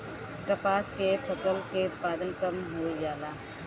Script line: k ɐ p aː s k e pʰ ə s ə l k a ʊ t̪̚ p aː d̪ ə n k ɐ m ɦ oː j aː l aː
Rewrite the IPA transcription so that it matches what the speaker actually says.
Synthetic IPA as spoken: k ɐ p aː s k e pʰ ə s ə l k e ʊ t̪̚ p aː d̪ ə n k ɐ m ɦ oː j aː l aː